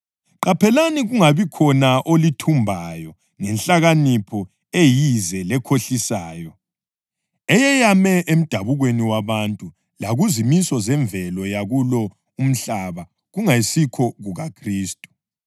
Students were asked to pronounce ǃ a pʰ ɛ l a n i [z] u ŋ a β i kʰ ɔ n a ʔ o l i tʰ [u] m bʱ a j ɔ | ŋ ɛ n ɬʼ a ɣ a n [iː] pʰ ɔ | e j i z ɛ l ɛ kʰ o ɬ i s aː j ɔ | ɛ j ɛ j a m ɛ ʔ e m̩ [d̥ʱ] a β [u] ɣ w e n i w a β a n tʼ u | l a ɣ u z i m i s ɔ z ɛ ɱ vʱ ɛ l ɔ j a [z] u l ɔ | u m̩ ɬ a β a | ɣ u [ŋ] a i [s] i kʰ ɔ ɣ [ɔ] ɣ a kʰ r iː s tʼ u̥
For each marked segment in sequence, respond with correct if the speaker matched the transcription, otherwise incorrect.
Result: incorrect, correct, incorrect, correct, correct, incorrect, correct, correct, incorrect

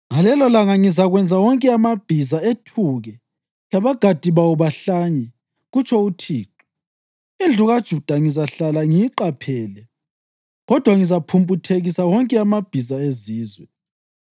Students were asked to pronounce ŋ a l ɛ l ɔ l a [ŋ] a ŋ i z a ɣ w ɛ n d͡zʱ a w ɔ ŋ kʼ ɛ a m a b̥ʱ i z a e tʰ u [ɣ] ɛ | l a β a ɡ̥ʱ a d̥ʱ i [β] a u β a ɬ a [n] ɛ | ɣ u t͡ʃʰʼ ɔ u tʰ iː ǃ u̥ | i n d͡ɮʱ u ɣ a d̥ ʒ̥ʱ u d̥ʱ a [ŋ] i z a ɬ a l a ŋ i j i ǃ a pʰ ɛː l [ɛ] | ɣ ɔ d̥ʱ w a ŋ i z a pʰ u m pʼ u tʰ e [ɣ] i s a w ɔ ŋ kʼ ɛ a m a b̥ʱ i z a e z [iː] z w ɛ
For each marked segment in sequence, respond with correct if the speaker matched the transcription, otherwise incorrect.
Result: correct, correct, correct, incorrect, correct, correct, correct, correct

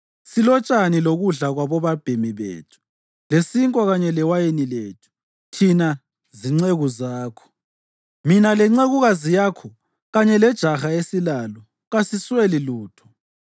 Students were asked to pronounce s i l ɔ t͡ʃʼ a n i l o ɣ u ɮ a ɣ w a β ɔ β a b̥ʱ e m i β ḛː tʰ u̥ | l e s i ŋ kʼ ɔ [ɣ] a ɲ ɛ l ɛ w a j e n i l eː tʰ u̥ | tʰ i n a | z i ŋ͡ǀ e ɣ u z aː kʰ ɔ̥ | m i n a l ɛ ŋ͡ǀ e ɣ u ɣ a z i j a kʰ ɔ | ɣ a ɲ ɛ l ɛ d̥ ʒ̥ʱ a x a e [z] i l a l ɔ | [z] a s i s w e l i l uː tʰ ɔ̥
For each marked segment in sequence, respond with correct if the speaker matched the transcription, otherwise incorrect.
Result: correct, incorrect, incorrect

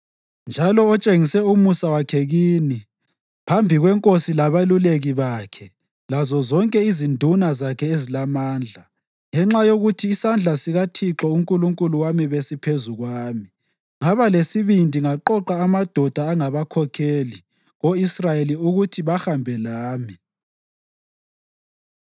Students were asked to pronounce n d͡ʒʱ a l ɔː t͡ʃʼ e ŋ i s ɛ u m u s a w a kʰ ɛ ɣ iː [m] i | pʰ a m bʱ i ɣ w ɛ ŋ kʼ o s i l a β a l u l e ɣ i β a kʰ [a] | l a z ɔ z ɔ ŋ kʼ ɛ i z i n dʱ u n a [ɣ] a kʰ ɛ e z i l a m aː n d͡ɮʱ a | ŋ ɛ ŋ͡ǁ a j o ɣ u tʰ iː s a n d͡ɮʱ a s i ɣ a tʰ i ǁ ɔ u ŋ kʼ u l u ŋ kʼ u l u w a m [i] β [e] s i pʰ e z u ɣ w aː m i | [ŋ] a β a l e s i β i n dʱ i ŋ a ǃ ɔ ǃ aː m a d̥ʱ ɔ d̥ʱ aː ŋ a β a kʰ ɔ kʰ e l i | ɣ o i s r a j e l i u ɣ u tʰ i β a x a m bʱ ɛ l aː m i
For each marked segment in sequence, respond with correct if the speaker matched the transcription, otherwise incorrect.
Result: incorrect, incorrect, incorrect, correct, correct, correct

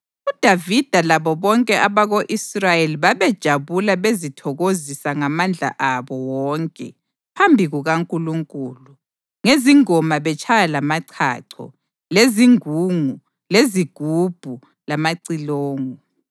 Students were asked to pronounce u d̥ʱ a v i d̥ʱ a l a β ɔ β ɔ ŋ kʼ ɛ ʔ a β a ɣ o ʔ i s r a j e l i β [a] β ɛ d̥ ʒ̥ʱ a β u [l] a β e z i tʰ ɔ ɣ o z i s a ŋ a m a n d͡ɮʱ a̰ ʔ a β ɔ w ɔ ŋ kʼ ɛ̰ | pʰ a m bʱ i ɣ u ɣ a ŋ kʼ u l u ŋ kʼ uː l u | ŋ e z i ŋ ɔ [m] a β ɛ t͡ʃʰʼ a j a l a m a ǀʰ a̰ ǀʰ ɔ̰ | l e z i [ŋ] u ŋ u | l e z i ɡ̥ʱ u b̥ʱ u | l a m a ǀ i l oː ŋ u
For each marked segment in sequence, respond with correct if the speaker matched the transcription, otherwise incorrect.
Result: correct, correct, correct, correct

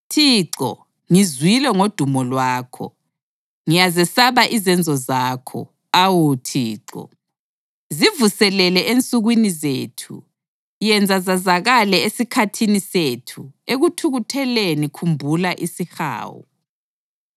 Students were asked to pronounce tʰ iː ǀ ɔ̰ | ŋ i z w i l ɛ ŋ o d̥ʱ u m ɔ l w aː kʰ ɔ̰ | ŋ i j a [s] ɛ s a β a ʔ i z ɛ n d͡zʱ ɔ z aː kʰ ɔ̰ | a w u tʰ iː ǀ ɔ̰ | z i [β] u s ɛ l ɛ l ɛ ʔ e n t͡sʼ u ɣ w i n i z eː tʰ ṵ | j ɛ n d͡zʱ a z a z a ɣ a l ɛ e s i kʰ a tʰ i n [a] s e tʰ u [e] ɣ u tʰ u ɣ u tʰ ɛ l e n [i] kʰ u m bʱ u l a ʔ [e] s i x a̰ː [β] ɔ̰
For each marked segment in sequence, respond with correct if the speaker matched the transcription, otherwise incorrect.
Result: incorrect, incorrect, incorrect, correct, correct, incorrect, incorrect

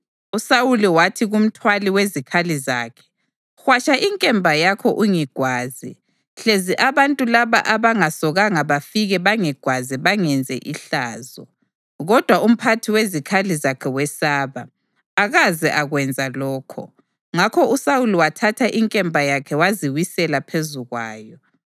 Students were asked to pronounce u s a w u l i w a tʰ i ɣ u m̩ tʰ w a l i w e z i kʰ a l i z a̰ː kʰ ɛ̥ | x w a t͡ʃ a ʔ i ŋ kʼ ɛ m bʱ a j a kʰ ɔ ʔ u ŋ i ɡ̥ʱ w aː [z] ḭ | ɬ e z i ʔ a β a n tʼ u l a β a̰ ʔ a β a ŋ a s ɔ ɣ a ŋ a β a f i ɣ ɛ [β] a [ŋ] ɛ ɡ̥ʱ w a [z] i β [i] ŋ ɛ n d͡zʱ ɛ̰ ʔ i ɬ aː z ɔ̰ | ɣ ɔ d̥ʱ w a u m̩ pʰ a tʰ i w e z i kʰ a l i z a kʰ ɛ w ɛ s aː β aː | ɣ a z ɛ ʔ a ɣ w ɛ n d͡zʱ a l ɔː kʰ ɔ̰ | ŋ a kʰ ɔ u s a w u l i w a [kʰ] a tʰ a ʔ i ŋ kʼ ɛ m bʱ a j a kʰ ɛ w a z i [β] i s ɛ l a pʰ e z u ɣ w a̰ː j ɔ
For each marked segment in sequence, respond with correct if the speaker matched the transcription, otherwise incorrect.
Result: correct, correct, correct, correct, incorrect, incorrect, incorrect

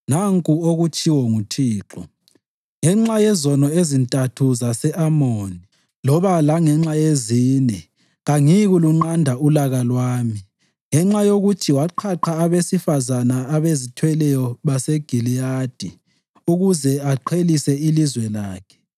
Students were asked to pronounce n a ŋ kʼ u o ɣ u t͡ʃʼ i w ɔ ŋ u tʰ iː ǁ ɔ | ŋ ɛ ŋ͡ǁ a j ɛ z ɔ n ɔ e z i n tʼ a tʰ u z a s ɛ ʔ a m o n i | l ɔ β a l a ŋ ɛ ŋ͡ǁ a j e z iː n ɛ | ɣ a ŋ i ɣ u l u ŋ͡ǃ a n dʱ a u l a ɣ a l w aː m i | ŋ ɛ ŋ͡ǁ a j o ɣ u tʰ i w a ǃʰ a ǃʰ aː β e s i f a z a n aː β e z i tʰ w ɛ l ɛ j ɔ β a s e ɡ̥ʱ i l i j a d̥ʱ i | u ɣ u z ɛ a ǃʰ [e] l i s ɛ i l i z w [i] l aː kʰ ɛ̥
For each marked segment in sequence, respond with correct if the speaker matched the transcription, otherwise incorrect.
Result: correct, incorrect

